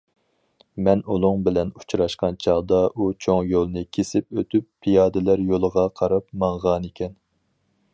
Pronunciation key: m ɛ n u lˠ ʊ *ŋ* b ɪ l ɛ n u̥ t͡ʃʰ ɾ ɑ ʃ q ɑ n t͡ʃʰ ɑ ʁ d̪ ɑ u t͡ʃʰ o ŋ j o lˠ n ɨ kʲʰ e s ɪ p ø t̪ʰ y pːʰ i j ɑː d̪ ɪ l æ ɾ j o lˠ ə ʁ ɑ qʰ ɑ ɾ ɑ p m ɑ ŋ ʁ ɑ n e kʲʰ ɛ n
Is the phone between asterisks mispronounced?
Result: no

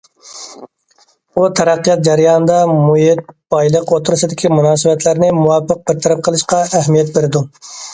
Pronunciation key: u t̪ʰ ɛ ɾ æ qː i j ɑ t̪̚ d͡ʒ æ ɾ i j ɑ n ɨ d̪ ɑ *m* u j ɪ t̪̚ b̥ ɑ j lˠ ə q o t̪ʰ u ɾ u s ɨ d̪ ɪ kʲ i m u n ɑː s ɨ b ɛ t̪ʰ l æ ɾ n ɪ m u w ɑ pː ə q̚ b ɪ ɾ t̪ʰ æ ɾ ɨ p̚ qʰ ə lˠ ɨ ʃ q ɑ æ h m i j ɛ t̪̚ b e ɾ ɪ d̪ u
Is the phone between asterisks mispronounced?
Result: no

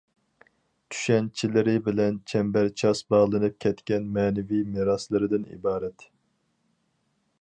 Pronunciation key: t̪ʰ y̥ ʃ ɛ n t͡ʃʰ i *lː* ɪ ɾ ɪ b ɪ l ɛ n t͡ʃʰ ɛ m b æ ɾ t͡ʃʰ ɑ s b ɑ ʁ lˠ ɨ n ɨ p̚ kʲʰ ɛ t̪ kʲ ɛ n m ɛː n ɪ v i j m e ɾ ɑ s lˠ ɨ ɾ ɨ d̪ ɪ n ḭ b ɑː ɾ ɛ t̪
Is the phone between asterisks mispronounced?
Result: yes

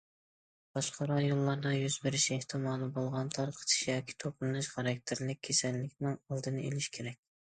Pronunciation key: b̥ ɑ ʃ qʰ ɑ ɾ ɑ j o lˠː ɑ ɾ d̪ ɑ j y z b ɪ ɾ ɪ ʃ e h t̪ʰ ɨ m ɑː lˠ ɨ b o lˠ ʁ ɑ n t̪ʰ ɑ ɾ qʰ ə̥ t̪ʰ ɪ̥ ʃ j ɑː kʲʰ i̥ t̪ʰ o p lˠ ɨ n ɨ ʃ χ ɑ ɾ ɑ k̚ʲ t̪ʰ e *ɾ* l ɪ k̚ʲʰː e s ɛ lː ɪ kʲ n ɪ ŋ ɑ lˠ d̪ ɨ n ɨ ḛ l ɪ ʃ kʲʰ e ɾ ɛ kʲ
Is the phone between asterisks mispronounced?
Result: no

